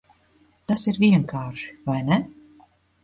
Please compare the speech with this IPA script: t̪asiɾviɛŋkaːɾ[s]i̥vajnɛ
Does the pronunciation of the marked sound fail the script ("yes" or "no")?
yes